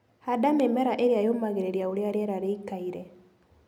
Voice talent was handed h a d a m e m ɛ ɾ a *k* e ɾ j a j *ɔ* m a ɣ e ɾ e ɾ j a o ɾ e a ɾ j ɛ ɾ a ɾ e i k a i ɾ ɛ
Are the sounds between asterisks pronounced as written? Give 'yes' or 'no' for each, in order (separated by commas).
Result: no, no